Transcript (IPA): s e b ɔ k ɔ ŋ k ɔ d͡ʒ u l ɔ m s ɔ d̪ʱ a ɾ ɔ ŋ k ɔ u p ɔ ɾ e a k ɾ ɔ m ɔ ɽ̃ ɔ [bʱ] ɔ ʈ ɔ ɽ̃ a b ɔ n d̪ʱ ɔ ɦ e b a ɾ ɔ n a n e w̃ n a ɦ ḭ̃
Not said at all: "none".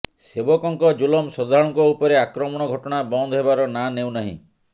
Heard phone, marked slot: ɡʱ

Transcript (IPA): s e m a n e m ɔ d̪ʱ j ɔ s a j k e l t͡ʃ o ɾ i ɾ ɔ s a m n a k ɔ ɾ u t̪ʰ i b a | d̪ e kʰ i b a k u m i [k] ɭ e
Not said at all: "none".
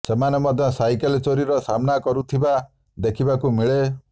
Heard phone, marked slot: none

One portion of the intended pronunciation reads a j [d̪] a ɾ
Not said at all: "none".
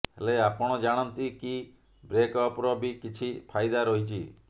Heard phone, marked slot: d̪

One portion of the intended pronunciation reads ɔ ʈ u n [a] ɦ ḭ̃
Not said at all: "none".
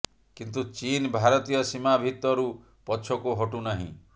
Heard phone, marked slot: a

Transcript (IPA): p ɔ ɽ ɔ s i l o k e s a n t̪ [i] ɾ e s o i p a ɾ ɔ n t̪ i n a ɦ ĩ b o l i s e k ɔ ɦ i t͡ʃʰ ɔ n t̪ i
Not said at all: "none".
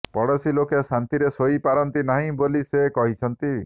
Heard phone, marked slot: i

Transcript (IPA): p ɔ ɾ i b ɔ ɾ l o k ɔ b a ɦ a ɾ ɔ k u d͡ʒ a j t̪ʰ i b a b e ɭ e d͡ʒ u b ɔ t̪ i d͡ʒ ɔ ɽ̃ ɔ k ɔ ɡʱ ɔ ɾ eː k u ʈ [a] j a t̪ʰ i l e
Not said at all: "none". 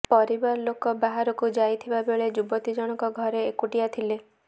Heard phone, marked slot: i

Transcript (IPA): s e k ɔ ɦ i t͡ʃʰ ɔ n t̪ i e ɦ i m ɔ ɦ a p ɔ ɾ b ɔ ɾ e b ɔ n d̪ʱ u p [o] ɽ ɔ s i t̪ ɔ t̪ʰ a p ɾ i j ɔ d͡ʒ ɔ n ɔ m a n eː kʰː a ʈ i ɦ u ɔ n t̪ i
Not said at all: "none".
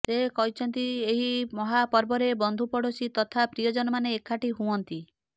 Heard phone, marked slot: ɔ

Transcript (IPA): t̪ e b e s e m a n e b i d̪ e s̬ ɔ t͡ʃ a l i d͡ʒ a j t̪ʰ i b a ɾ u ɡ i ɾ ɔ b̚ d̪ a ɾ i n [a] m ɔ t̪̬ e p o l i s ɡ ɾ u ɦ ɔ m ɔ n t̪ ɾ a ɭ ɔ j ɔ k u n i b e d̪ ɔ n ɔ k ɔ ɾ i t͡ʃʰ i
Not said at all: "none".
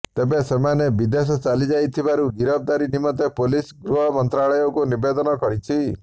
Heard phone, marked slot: i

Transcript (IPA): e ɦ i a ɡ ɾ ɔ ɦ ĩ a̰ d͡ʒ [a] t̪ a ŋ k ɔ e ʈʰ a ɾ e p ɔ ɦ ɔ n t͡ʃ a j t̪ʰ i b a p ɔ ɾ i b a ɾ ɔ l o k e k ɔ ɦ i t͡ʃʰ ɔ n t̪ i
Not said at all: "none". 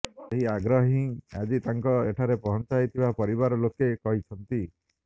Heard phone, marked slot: i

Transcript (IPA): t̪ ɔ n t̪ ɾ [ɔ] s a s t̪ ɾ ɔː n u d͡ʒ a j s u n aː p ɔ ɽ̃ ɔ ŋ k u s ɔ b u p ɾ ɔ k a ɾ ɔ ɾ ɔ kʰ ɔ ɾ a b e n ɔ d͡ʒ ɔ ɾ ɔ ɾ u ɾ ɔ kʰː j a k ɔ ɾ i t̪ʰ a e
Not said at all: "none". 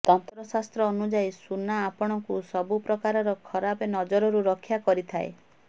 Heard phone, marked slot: ɔ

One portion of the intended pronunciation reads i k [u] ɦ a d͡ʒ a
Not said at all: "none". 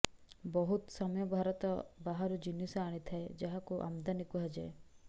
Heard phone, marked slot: u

